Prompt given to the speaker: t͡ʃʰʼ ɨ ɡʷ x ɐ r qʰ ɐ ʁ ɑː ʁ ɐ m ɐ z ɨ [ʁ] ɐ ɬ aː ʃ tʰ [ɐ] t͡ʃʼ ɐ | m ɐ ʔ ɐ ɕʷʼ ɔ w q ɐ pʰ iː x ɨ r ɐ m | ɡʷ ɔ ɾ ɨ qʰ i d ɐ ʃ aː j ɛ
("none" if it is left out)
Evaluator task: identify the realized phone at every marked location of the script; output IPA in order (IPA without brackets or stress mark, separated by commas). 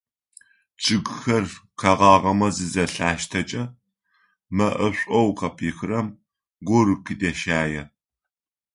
z, ɐ